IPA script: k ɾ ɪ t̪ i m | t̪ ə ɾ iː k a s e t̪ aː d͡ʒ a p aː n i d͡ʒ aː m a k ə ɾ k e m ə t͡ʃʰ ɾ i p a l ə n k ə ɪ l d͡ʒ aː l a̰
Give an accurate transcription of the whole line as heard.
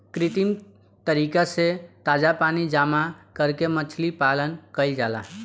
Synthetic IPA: k ɾ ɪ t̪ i m | t̪ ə ɾ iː k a s e t̪ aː d͡ʒ a p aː n i d͡ʒ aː m a k ə ɾ k e m ə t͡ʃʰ l i p a l ə n k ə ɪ l d͡ʒ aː l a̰

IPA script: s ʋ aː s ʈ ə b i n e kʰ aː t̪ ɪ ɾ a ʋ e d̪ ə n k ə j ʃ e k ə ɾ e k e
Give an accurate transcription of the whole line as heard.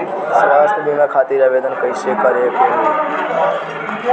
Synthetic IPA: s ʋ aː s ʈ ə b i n a kʰ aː t̪ i ɾ a ʋ e d̪ ə n k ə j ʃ e k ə ɾ e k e

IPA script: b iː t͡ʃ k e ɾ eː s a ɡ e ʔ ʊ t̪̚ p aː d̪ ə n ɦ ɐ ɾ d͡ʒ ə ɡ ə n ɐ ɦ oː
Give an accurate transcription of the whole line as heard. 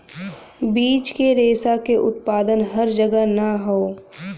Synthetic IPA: b iː t͡ʃ k e ɾ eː s a k e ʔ ʊ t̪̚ p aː d̪ ə n ɦ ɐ ɾ d͡ʒ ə ɡ ə n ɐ ɦ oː

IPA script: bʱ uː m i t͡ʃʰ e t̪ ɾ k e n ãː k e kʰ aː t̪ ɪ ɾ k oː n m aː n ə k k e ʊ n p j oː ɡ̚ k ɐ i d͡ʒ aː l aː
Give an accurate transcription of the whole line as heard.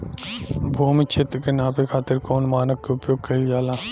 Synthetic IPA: bʱ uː m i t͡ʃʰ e t̪ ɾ k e n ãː p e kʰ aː t̪ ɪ ɾ k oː n m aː n ə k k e ʊ p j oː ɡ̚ k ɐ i d͡ʒ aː l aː

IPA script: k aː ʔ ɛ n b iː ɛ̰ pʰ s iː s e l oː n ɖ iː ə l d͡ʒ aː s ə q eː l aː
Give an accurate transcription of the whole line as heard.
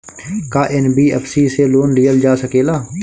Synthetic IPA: k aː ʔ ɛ n b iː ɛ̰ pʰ s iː s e l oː n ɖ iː ə l d͡ʒ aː s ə k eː l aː

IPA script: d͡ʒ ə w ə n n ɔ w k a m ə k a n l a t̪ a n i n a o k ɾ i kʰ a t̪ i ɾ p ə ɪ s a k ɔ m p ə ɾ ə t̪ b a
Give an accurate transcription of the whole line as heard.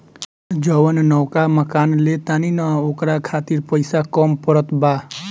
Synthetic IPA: d͡ʒ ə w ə n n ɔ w k a m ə k a n l e t̪ a n i n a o k ɾ a kʰ a t̪ i ɾ p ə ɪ s a k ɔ m p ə ɾ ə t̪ b a

